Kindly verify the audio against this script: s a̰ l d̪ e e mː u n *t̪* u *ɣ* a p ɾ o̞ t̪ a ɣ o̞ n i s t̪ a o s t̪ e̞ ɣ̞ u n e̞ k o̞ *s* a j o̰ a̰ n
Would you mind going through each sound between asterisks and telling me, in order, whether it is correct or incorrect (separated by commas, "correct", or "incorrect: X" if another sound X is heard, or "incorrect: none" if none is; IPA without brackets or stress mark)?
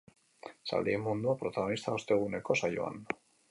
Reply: incorrect: d̪, incorrect: none, correct